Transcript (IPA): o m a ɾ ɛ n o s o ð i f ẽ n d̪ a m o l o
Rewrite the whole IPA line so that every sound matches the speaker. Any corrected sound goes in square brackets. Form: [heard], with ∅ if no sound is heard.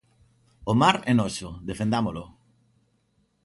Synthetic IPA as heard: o m a ɾ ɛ n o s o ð [e] f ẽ n d̪ a m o l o